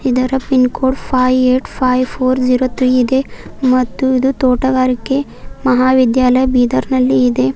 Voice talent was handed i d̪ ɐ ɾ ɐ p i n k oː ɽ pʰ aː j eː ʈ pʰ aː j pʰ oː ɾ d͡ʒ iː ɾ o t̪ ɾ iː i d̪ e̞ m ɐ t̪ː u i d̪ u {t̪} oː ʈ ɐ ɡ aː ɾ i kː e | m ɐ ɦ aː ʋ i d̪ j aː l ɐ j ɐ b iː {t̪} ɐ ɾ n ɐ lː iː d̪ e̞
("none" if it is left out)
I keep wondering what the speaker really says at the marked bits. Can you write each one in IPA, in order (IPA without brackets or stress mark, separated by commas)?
t̪, d̪